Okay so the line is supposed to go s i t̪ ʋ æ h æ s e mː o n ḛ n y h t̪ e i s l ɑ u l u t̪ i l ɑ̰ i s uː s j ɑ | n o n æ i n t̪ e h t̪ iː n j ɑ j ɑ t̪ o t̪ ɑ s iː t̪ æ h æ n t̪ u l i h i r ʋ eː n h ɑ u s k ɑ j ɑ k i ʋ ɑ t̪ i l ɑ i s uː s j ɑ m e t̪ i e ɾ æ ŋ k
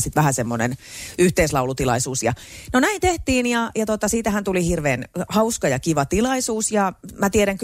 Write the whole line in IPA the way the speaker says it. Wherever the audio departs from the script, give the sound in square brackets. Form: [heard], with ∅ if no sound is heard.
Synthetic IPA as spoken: s i t̪ ʋ æ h æ s e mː o n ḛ n y h t̪ e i s l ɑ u l u t̪ i l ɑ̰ i s uː s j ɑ | n o n æ i n t̪ e h t̪ iː n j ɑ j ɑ t̪ o t̪ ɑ s iː t̪ æ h æ n t̪ u l i h i r ʋ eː n h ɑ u s k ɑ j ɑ k i ʋ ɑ t̪ i l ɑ i s uː s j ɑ m [æ] t̪ i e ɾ æ ŋ k